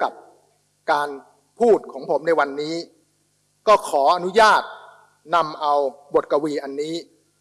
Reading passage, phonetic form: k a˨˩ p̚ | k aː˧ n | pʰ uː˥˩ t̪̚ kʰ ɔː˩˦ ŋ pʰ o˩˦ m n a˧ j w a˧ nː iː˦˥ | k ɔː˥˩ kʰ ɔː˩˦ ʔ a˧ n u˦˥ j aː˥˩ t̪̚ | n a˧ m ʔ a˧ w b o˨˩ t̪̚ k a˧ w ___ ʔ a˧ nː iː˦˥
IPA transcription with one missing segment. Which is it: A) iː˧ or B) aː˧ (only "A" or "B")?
A